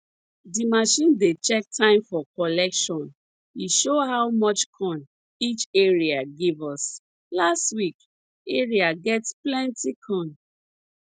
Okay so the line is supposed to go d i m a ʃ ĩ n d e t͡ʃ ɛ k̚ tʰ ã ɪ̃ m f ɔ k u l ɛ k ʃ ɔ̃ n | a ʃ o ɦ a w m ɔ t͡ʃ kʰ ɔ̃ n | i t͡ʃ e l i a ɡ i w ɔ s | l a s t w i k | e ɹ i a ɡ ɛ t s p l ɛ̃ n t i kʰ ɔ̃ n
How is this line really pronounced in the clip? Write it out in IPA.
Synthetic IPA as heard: d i m a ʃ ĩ n d e t͡ʃ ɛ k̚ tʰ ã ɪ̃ m f ɔ k ɔ l ɛ k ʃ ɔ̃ n | i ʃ o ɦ a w m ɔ t͡ʃ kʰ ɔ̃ n | i t͡ʃ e ɹ i a ɡ i v ɔ s | l a s t w i k | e ɹ i a ɡ ɛ t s p l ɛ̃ n t i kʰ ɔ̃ n